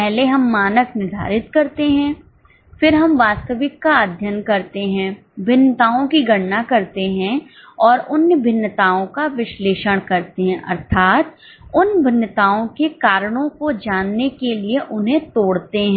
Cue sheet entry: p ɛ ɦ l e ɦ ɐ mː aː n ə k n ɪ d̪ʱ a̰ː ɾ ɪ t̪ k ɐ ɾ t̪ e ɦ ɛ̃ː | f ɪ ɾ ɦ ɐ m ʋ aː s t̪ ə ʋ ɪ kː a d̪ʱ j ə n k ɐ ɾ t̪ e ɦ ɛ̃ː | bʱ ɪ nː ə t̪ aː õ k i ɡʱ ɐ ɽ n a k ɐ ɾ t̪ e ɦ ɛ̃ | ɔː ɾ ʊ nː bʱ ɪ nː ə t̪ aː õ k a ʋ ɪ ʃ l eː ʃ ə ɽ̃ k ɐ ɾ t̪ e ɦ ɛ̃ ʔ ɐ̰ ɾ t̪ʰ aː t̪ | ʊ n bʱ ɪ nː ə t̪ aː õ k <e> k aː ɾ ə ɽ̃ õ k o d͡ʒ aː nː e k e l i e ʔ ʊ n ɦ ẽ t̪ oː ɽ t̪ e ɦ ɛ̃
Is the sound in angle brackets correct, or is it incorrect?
correct